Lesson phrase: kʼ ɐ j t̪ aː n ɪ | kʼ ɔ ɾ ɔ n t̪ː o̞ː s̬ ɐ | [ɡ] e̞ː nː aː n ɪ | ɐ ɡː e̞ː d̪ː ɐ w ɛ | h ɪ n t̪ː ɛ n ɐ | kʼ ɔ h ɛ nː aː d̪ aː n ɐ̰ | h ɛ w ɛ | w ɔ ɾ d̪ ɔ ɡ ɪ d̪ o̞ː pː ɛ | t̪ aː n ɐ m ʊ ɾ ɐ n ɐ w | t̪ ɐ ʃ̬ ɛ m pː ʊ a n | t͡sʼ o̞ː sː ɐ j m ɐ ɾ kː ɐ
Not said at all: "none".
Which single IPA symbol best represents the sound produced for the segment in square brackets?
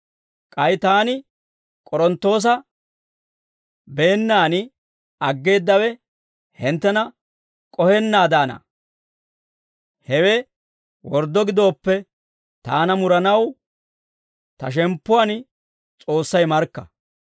b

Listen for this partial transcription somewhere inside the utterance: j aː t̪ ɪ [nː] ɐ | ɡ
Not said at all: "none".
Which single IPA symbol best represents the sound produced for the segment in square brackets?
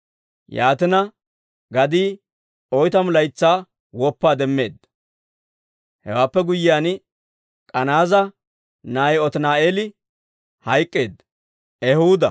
n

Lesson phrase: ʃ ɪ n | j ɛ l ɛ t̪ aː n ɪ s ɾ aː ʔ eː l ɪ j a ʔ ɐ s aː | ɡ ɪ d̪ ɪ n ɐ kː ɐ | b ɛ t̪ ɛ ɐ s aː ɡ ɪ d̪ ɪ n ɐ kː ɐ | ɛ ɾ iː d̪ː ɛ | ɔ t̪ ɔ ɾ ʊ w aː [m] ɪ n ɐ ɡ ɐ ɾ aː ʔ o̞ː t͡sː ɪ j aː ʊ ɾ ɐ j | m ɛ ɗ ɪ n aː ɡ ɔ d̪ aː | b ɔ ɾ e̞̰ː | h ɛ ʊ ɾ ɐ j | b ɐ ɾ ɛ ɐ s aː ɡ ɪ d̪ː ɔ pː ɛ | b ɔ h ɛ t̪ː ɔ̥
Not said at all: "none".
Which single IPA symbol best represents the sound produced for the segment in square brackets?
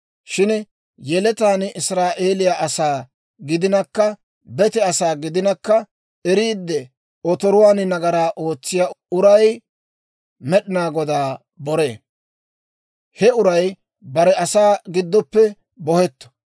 n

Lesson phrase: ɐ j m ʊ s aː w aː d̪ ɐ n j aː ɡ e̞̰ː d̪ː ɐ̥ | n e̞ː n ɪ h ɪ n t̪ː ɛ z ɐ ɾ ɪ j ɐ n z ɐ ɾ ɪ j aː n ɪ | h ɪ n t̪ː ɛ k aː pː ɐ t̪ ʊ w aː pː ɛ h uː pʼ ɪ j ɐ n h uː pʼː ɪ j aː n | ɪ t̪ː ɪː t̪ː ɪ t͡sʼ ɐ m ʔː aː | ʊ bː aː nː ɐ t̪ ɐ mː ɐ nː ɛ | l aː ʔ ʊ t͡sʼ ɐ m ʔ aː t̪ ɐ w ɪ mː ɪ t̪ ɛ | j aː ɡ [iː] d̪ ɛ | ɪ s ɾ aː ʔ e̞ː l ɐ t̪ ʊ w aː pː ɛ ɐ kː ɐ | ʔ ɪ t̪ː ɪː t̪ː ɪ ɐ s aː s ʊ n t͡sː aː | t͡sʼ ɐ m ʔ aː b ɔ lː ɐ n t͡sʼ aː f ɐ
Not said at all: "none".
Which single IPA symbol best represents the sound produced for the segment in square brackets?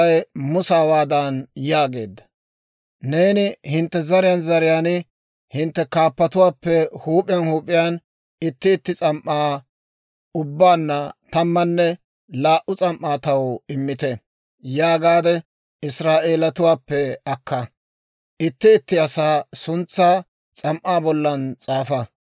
aː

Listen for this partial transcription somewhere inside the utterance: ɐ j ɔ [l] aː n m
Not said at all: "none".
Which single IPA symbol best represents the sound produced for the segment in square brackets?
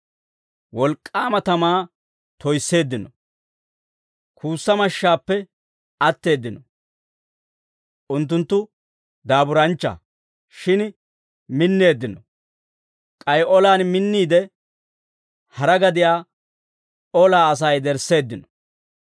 l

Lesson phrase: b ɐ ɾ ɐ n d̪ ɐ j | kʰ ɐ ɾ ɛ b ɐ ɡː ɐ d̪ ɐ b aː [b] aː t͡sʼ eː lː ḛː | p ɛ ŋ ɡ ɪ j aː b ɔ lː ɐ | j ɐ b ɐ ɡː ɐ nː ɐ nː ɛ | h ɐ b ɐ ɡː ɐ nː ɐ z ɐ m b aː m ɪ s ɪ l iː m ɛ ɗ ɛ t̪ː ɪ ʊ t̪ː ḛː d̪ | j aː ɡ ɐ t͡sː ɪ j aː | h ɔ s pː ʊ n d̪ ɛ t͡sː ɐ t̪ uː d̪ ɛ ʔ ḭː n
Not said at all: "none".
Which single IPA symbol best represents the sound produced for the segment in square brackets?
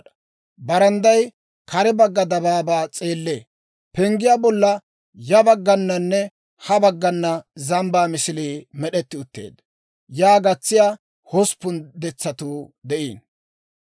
b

